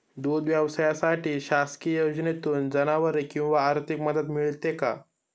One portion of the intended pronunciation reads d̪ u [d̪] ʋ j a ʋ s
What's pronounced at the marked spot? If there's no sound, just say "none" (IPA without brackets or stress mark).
d̪